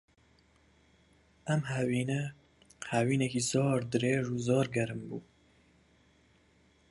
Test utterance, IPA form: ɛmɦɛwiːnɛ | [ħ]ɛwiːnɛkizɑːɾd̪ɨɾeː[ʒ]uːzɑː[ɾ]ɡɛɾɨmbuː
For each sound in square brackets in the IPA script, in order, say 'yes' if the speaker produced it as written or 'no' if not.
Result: no, yes, yes

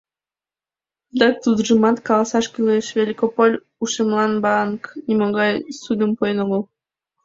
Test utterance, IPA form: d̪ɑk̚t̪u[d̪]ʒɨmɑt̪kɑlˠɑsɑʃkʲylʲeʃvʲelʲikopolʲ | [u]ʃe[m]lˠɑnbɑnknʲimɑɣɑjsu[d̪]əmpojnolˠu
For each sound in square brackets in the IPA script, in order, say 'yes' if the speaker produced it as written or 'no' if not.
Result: yes, yes, yes, yes

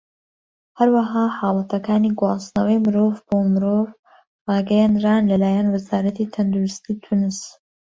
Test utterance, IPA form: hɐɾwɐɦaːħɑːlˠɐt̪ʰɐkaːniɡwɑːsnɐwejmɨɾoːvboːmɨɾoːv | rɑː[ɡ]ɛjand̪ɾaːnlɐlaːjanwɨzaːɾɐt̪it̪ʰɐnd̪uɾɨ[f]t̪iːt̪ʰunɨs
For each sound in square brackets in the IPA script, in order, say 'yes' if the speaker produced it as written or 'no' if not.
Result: yes, no

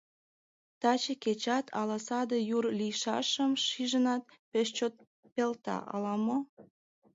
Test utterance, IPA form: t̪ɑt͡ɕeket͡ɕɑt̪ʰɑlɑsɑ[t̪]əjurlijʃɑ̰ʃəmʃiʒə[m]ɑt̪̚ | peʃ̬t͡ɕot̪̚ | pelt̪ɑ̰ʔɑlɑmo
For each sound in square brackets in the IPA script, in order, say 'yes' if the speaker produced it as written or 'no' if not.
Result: no, no

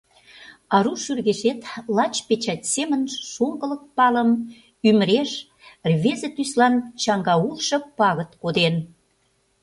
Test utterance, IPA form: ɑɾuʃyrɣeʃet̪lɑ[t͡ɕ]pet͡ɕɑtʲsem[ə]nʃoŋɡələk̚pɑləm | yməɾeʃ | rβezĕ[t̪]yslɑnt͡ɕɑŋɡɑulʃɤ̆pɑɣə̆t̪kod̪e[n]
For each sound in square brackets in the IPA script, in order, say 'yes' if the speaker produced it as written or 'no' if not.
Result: yes, yes, yes, yes

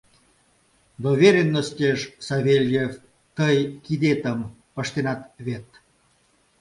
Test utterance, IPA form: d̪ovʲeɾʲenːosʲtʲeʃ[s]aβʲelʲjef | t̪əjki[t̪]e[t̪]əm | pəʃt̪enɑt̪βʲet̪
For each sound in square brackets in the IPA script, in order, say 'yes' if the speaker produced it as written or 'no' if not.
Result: yes, no, yes

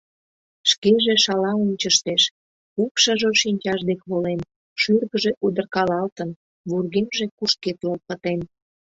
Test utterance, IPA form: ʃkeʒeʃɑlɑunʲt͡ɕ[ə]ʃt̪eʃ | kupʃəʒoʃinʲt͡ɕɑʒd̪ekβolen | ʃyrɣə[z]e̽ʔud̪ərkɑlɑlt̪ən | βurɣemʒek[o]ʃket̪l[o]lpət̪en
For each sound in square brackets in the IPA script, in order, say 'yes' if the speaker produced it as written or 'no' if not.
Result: yes, no, no, yes

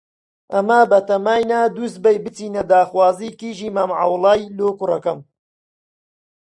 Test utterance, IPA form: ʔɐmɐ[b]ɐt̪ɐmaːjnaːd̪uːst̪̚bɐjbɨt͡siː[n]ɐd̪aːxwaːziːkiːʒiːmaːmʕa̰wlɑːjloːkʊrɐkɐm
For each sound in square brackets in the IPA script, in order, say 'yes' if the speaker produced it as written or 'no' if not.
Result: yes, yes

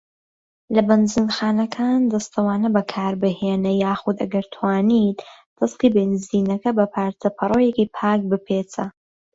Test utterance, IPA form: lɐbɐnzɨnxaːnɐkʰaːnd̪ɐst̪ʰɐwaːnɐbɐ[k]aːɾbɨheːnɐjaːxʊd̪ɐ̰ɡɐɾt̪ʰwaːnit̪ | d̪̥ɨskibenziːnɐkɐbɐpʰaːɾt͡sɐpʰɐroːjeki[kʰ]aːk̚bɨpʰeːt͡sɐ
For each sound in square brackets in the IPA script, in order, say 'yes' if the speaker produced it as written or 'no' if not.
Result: no, no

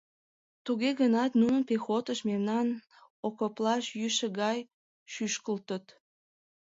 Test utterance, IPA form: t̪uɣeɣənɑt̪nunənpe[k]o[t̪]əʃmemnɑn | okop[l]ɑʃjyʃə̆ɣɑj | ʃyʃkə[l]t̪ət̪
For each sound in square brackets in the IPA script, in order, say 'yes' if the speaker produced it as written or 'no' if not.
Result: no, yes, yes, yes

